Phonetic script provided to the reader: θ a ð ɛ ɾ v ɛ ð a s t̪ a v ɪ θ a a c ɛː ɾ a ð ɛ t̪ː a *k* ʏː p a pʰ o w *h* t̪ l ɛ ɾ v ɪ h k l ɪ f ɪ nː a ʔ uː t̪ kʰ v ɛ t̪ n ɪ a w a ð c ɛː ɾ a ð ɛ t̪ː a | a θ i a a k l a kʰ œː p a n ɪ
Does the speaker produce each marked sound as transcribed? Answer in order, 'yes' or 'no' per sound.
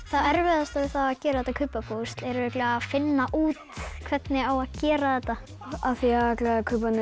no, no

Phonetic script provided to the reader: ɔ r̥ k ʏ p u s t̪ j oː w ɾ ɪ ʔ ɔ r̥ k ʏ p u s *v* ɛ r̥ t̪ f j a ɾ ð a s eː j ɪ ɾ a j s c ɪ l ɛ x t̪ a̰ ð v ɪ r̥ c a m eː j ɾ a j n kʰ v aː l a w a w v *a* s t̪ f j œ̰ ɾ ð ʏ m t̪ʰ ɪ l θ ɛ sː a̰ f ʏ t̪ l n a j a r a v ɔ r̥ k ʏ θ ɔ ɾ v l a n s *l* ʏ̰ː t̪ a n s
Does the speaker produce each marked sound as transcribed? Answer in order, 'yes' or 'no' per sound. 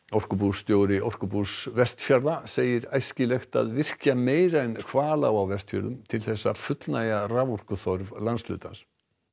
yes, no, yes

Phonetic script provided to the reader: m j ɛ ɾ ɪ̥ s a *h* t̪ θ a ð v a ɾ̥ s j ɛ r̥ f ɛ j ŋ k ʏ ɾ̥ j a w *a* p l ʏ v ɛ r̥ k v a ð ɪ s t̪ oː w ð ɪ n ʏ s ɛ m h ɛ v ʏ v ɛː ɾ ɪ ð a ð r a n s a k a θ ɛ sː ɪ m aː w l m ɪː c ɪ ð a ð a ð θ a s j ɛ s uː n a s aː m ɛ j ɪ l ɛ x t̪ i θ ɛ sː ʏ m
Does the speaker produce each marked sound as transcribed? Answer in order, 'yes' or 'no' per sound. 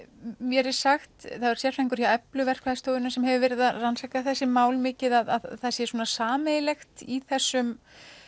no, no

